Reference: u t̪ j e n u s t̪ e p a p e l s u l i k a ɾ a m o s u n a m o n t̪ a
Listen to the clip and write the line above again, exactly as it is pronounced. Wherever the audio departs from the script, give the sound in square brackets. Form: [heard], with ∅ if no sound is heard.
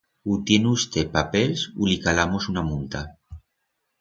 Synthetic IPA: u t̪ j e n u s t̪ e p a p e l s u l i k a [l] a m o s u n a m [u] n t̪ a